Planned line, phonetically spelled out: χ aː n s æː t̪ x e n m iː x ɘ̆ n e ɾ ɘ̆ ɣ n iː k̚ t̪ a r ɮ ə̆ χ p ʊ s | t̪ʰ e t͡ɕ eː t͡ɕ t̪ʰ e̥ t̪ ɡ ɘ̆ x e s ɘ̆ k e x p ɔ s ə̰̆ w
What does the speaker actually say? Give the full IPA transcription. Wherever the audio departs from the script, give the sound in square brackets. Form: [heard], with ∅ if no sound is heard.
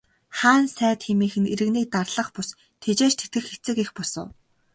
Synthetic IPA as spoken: χ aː n s æː t̪ x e [∅] m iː x ɘ̆ n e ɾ ɘ̆ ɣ n iː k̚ t̪ a r ɮ ə̆ χ p ʊ s | t̪ʰ e t͡ɕ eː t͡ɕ t̪ʰ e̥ t̪ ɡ ɘ̆ x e [t͡s] ɘ̆ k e x p ɔ s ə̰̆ w